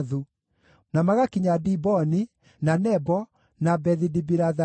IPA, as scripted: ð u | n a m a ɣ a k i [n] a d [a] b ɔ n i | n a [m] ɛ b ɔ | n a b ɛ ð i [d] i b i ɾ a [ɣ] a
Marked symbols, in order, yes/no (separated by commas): no, no, no, yes, no